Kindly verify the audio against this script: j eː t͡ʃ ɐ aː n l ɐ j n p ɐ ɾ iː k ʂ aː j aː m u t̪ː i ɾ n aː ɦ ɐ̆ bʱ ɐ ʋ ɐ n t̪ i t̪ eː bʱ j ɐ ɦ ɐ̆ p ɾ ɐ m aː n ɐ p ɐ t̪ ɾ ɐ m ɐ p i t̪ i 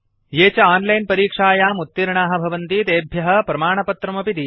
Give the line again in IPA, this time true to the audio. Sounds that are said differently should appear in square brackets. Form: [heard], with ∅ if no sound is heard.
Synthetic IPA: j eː t͡ʃ ɐ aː n l ɐ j n p ɐ ɾ iː k ʂ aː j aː m u t̪ː i ɾ [ɳ] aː ɦ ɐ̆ bʱ ɐ ʋ ɐ n t̪ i t̪ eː bʱ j ɐ ɦ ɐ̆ p ɾ ɐ m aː [ɳ] ɐ p ɐ t̪ ɾ ɐ m ɐ p i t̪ i